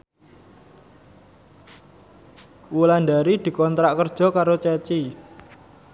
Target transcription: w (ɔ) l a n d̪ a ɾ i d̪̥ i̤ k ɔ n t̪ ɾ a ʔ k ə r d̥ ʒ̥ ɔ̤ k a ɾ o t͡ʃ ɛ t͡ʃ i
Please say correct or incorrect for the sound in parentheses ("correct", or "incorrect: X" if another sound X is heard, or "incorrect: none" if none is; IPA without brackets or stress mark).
incorrect: u